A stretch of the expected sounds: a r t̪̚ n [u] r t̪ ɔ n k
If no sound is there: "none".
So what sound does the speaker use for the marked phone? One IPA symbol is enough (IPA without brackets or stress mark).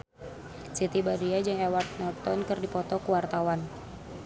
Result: ɔ